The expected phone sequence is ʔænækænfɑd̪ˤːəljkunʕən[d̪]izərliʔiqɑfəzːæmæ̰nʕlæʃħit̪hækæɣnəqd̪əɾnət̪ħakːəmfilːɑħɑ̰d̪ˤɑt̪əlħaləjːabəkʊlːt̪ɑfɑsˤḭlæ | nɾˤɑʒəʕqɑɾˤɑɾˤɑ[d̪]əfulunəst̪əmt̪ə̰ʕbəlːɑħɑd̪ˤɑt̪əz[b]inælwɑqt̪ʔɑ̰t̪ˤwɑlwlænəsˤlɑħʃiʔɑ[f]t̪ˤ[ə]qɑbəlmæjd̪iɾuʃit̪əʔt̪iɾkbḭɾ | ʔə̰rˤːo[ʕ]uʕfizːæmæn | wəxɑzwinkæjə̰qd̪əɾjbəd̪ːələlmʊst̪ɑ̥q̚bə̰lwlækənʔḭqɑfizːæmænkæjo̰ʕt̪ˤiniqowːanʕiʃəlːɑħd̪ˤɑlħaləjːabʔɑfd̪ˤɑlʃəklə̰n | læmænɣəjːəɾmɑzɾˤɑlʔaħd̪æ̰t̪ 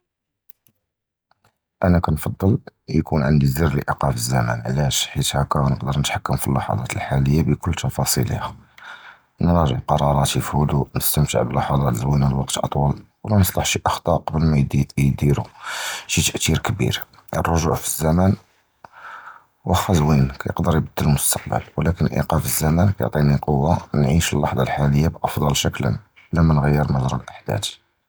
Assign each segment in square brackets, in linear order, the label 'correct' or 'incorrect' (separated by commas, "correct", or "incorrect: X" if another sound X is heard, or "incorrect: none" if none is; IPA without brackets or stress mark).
correct, incorrect: t̪, incorrect: w, incorrect: x, incorrect: ɑ, incorrect: ʒ